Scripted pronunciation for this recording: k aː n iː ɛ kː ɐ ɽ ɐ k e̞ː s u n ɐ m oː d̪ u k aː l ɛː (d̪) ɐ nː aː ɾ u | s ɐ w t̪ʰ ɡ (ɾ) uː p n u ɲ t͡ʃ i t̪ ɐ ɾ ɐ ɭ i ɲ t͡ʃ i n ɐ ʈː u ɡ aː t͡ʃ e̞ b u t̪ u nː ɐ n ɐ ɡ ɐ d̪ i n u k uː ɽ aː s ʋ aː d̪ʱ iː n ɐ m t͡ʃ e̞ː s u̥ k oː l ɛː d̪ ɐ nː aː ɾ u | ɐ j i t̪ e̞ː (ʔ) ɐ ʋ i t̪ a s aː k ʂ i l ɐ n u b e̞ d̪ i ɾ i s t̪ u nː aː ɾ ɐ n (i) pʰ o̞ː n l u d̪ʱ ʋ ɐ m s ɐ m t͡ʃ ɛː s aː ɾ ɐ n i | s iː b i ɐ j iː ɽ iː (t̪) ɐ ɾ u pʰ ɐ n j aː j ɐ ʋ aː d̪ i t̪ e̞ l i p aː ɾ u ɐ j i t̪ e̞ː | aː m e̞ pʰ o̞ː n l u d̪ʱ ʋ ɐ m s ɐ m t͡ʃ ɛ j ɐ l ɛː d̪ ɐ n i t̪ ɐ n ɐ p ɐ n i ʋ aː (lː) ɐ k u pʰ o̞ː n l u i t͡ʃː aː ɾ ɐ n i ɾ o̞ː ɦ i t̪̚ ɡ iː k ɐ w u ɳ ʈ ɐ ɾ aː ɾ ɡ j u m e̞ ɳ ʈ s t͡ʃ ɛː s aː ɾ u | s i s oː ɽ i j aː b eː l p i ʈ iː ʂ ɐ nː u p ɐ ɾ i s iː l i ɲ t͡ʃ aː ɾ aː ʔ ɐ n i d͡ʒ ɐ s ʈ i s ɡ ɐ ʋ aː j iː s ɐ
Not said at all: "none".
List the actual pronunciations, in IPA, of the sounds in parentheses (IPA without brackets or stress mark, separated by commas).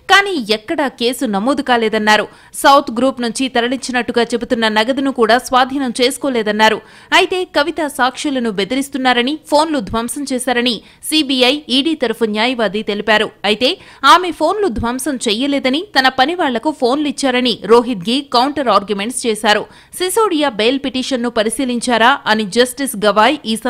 d̪, ɾ, k, i, t̪, ɭː